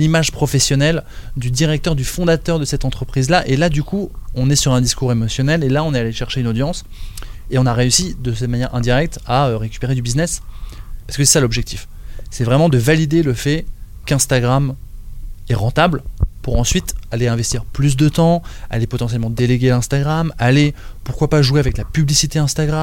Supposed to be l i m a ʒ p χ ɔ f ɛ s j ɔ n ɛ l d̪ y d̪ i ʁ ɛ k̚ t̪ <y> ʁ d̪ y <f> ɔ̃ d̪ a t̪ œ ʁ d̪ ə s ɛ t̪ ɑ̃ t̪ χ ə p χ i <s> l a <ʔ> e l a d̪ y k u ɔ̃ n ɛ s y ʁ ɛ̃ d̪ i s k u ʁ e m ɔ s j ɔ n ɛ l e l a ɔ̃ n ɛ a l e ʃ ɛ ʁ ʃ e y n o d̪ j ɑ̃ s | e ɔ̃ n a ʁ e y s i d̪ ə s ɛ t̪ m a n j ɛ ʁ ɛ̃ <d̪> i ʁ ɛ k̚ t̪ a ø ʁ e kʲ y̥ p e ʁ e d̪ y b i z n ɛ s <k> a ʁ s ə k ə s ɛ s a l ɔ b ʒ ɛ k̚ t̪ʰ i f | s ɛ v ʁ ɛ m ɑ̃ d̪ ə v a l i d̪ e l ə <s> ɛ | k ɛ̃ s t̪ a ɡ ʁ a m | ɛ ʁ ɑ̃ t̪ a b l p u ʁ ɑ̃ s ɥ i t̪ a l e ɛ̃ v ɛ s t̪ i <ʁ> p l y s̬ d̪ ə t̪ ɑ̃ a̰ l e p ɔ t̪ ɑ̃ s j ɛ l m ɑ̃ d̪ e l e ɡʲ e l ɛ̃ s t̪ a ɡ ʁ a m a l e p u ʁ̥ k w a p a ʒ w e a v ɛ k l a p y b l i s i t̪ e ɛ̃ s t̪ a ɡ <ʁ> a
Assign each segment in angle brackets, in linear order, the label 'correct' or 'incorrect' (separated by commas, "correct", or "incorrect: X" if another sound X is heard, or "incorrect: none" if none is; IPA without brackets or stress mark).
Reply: incorrect: œ, correct, incorrect: z, correct, correct, incorrect: p, incorrect: f, correct, correct